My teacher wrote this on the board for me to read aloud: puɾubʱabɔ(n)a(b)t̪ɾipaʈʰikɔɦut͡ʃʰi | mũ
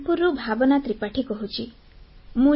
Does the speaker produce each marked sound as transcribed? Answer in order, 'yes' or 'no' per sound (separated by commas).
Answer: yes, no